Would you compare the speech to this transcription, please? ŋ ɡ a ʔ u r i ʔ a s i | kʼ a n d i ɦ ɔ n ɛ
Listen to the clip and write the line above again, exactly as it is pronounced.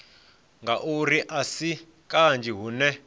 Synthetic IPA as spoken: ŋ ɡ a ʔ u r i ʔ a s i | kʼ a n d͡ʒ i ɦ u n ɛ